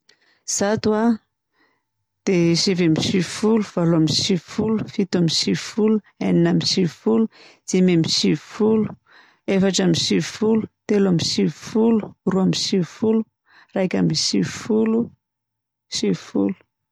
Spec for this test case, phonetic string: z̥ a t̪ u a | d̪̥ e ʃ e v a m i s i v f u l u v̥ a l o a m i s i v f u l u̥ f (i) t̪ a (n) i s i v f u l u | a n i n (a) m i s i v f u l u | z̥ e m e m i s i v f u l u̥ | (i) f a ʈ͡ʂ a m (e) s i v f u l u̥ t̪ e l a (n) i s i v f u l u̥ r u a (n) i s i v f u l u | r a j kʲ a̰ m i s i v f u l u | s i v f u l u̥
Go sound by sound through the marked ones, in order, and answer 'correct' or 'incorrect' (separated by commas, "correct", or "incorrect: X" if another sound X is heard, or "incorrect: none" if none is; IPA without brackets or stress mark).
correct, incorrect: m, correct, incorrect: e, incorrect: i, incorrect: m, incorrect: m